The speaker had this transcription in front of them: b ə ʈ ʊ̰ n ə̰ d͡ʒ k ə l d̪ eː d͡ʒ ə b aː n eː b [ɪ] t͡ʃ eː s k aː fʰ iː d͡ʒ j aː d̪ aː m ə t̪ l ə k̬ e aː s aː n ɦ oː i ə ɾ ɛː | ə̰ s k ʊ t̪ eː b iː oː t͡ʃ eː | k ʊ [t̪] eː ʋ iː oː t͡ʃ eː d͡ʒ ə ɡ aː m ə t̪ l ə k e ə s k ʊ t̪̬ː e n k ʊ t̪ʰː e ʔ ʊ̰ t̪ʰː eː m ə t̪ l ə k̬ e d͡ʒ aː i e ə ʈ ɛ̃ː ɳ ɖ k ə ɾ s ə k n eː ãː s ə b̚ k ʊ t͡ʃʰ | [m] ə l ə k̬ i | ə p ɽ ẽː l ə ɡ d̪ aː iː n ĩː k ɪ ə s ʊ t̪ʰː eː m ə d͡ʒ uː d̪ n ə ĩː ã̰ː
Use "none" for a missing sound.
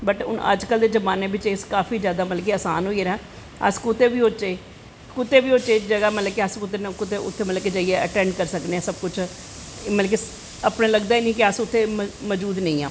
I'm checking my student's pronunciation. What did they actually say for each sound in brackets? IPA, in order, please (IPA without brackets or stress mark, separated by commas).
ɪ, t̪, m